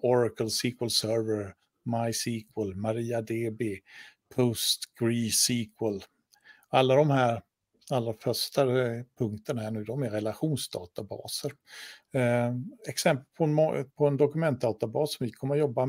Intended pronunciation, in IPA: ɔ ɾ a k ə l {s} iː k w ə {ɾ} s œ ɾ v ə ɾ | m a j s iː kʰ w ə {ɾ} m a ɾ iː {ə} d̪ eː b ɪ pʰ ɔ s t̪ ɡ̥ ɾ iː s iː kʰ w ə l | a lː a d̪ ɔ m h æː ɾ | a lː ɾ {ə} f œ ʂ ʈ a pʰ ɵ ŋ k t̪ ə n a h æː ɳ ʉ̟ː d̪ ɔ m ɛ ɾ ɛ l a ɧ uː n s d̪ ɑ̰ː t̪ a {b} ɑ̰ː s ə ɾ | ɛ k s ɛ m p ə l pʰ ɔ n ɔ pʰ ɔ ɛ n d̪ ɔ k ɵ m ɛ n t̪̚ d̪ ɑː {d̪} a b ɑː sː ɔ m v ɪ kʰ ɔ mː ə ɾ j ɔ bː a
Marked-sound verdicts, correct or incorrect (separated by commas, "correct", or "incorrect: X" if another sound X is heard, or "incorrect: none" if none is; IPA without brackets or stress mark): correct, incorrect: l, incorrect: l, incorrect: a, incorrect: a, correct, incorrect: t̪